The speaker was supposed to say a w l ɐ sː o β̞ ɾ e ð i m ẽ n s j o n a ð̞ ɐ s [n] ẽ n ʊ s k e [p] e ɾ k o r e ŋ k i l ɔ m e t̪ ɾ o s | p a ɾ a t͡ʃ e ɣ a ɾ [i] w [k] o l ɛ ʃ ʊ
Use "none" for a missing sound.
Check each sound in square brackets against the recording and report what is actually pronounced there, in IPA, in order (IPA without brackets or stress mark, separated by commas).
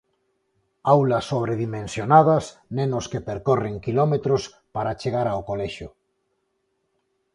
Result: n, p, a, k